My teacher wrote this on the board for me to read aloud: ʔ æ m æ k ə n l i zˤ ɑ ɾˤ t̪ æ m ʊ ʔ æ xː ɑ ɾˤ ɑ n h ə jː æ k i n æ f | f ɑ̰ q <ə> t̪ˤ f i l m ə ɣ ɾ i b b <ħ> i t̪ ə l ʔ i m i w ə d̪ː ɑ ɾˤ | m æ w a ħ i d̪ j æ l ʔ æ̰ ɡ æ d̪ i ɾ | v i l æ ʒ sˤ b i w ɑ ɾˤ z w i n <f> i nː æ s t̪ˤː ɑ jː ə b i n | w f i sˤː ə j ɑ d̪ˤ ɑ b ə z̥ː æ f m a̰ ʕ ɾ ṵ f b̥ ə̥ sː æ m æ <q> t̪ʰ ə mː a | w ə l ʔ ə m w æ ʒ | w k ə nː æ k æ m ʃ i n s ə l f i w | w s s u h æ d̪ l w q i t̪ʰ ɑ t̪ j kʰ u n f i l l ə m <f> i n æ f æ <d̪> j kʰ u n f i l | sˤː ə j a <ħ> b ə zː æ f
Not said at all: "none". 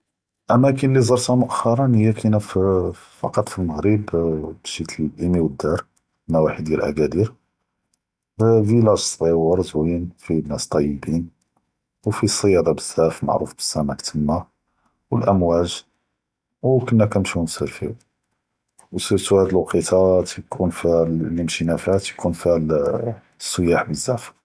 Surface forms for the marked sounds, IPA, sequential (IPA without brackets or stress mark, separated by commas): ɑ, ʃ, f, k, ʃ, t̪, ħ